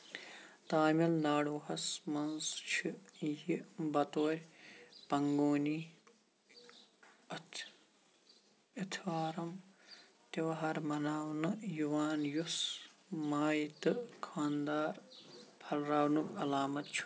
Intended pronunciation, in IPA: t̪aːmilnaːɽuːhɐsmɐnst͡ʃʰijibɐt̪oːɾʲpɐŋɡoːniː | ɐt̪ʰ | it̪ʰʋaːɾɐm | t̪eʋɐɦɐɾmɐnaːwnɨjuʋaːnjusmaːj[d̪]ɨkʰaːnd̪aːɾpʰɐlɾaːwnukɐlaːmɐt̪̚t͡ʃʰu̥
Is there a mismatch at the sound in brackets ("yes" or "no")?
yes